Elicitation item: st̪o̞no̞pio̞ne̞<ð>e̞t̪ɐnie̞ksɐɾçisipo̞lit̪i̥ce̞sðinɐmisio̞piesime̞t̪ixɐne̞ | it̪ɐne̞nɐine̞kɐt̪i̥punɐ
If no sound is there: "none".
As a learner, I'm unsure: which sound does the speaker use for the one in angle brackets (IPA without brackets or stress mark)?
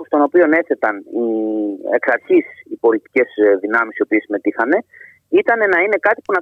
θ